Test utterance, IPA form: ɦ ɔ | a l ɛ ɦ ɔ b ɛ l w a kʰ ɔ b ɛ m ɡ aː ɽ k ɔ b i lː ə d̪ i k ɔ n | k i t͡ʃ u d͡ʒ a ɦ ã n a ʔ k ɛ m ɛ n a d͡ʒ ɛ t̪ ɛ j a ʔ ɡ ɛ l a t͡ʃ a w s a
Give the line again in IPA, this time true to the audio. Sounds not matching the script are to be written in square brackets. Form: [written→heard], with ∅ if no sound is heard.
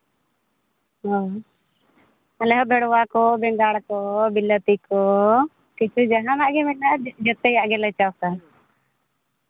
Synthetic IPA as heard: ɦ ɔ | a l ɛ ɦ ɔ b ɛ [l→ɽ] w a [kʰ→k] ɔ b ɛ [m→ŋ] ɡ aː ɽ k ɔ b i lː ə [d̪→t̪] i k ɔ [n→∅] | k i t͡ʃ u d͡ʒ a ɦ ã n a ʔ [k→ɡ] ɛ m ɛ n a d͡ʒ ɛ t̪ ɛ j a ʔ ɡ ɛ l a t͡ʃ a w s a